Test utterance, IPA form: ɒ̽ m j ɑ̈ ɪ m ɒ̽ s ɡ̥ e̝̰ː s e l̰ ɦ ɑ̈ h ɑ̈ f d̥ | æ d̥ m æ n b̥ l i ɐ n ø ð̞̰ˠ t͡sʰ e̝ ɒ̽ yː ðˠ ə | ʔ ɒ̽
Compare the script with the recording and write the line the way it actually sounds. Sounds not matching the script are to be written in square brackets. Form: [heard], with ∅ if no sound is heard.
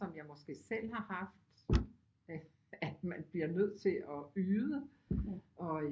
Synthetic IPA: ɒ̽ m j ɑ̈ ɪ m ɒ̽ s ɡ̥ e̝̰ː s e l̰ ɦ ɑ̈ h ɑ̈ f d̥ | æ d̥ m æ n b̥ l i ɐ n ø ð̞̰ˠ t͡sʰ e̝ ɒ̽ yː ðˠ ə | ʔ ɒ̽

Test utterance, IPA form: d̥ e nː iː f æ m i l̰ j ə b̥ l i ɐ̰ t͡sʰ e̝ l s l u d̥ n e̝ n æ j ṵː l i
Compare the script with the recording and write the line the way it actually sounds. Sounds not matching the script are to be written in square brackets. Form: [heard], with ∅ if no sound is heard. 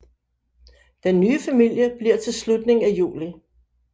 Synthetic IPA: d̥ e nː [yː] f æ m i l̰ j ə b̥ l i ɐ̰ t͡sʰ e̝ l s l u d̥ n e̝ [ŋ] æ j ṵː l i

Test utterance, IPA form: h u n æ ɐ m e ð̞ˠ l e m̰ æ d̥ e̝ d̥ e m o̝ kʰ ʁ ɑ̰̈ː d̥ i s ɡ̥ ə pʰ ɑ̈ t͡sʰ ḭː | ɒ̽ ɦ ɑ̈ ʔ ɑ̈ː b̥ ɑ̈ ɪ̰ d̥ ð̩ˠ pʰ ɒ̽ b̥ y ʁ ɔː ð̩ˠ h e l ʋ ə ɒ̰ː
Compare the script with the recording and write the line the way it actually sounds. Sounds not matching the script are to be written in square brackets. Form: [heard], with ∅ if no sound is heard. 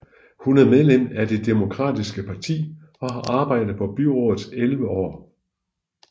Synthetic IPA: h u n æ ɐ m e ð̞ˠ l e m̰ æ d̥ e̝ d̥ e m o̝ kʰ ʁ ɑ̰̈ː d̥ i s ɡ̥ ə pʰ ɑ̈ t͡sʰ ḭː | ɒ̽ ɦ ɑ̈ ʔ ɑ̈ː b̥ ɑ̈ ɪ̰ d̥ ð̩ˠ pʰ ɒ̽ b̥ y ʁ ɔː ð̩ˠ [s] e l ʋ ə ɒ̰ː

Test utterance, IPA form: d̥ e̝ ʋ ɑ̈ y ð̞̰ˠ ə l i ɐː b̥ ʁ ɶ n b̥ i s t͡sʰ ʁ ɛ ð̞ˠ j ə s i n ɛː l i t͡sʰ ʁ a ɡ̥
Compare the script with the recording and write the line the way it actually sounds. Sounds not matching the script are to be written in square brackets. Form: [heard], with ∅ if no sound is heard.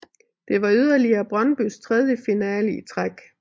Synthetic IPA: d̥ e̝ ʋ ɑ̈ y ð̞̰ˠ [ɐ] l i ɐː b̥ ʁ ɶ n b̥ [y] s t͡sʰ ʁ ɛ ð̞ˠ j ə [f] i n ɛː l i t͡sʰ ʁ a ɡ̥

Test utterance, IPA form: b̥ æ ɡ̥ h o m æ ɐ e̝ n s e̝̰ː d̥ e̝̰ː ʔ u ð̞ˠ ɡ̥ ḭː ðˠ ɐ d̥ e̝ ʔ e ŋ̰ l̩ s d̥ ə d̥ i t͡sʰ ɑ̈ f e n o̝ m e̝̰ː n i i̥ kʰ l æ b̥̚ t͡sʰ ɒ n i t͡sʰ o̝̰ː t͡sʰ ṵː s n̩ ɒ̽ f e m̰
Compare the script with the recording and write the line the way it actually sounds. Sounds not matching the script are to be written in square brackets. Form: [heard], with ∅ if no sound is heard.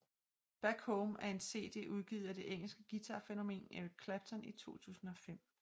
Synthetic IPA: b̥ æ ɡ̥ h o m æ ɐ e̝ n s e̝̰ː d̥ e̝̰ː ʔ u ð̞ˠ ɡ̥ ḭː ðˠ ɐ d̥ e̝ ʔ e ŋ̰ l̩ s [ɡ̥] ə [ɡ̥] i t͡sʰ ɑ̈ f e n o̝ m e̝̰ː n [e] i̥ kʰ l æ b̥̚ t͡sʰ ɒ n i t͡sʰ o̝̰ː t͡sʰ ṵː s n̩ ɒ̽ f e m̰

